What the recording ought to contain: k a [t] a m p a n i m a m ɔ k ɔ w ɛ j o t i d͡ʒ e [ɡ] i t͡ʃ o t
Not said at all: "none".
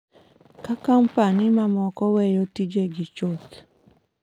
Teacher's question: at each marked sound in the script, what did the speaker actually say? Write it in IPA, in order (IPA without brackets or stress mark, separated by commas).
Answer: k, ɡ